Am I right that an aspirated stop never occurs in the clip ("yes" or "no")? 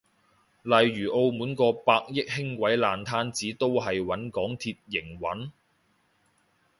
no